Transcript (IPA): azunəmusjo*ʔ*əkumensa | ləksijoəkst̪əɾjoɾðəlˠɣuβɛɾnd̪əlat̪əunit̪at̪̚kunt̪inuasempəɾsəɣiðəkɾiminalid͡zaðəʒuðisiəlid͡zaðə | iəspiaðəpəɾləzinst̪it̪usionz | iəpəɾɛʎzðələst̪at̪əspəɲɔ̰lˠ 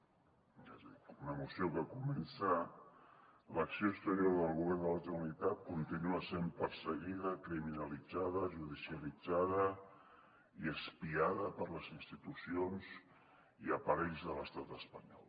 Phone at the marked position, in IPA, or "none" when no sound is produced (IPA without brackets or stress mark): k